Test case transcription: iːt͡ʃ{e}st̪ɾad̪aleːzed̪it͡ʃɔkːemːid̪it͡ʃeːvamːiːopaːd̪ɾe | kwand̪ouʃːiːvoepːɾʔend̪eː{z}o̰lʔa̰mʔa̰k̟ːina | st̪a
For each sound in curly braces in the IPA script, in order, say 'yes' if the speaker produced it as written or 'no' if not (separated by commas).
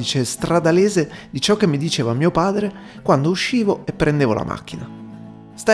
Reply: yes, no